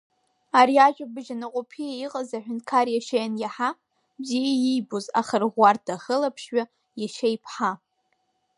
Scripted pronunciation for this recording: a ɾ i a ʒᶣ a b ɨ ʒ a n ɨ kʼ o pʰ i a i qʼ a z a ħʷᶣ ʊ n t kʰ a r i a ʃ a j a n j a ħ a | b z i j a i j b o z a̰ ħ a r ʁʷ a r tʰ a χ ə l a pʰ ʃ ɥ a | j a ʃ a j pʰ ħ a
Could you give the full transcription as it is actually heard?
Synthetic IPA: a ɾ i a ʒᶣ a b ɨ ʒ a n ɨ qʼ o pʰ i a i qʼ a z a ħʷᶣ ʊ n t kʰ a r j a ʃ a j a n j a ħ a | b z i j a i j b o z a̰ χ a r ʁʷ a r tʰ a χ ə l a pʰ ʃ ɥ a | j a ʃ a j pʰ ħ a

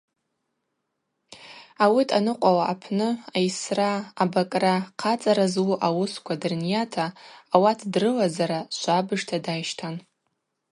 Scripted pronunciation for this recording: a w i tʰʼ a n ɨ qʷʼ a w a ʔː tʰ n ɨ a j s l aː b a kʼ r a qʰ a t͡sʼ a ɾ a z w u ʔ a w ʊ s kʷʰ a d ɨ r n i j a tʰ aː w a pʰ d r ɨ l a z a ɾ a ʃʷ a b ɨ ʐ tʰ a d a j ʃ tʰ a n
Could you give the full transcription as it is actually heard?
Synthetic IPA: a w i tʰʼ a n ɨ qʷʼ a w a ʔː pʰ n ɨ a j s r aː b a kʼ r a qʰ a t͡sʼ a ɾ a z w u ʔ a w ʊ s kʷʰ a d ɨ r n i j a tʰ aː w a tʰ d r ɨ l a z a ɾ a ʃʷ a b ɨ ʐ tʰ a d a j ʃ tʰ a n

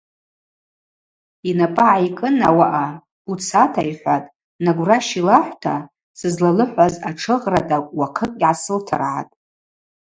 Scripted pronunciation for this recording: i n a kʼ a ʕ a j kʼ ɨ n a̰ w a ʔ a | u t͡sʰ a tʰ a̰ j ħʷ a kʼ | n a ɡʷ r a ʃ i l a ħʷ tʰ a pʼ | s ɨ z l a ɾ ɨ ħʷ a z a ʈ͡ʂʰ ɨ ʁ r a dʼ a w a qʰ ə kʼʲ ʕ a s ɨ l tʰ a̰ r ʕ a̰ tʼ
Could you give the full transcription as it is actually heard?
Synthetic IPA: i n a pʼ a ʕ a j kʼ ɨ n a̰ w a ʔ a | u t͡sʰ a tʰ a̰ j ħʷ a tʼ | n a ɡʷ r a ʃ i l a ħʷ tʰ a | s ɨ z l a l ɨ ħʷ a z a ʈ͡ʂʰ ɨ ʁ r a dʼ a w a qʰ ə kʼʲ ʕ a s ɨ l tʰ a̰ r ʕ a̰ tʼ

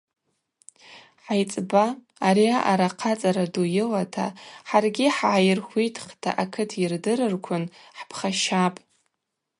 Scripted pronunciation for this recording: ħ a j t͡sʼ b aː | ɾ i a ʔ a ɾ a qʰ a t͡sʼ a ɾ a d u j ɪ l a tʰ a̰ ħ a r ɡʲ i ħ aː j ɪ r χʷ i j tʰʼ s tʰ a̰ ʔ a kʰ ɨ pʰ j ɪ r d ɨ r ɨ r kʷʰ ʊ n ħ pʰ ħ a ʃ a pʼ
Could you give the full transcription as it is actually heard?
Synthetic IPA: ħ a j t͡sʼ b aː | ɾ i a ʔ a ɾ a qʰ a t͡sʼ a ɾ a d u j ɪ l a tʰ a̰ ħ a r ɡʲ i ħ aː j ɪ r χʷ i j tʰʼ χ tʰ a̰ ʔ a kʰ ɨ tʰ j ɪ r d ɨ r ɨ r kʷʰ ʊ n ħ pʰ χ a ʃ a pʼ

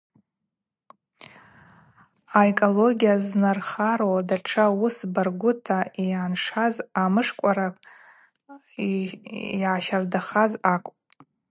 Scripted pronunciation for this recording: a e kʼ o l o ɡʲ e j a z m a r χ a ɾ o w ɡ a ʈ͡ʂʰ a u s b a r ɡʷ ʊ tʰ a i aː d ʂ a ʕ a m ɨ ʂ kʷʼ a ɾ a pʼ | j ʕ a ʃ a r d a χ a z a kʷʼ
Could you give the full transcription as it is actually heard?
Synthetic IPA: a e kʼ o l o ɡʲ i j a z n a r χ a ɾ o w d a ʈ͡ʂʰ a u s b a r ɡʷ ʊ tʰ a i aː n ʂ a z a m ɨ ʂ kʷʼ a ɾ a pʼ | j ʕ a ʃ a r d a χ a z a kʷʼ

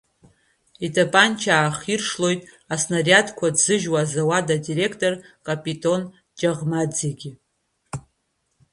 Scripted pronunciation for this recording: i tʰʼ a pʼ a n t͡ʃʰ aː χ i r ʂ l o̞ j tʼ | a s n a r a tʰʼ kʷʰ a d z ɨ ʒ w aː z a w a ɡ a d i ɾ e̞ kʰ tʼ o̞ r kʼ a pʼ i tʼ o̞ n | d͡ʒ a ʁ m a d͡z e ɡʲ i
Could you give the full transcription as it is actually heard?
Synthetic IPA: i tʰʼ a pʼ a n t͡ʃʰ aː χ i r ʂ l o̞ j tʼ | a s n a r a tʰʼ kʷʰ a d z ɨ ʒ w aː z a w a d a d i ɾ e̞ kʰ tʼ o̞ r kʼ a pʼ i tʼ o̞ n | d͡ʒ a ʁ m a d͡z e ɡʲ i

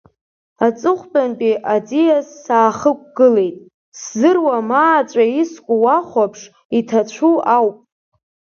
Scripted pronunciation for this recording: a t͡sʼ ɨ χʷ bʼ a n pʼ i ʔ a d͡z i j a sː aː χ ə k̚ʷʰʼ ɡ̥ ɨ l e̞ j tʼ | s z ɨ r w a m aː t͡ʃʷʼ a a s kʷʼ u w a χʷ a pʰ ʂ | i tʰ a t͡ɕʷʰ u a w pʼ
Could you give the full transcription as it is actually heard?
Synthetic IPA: a t͡sʼ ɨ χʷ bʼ a n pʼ i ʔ a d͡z i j a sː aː χ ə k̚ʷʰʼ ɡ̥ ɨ l e̞ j tʼ | s z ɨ r w a m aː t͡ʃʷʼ a i s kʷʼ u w a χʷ a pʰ ʂ | i tʰ a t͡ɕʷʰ u a w pʼ

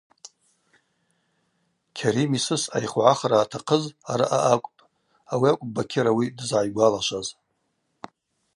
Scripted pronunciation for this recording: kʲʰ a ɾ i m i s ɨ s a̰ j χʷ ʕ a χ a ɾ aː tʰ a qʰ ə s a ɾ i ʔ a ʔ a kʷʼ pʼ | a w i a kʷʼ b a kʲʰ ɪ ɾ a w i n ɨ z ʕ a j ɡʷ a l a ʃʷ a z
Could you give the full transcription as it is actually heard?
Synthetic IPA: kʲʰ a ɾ i m i s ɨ s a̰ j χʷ ʕ a χ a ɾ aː tʰ a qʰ ə z a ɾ a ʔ a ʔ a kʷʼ pʼ | a w i a kʷʼ b a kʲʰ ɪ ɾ a w i d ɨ z ʕ a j ɡʷ a l a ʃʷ a z

